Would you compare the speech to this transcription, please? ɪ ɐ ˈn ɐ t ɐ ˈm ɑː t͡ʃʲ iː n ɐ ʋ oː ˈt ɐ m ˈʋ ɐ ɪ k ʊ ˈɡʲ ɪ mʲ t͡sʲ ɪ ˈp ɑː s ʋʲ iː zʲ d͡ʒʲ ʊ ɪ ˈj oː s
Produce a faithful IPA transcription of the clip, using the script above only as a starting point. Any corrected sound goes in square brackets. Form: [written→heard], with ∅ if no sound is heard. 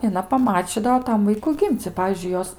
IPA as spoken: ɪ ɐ ˈn ɐ [t→p] ɐ ˈm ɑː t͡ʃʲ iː [n→d] ɐ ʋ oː ˈt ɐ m ˈʋ ɐ ɪ k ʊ ˈɡʲ ɪ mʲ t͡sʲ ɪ ˈp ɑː [s→∅] ʋʲ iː zʲ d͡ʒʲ ʊ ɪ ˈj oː s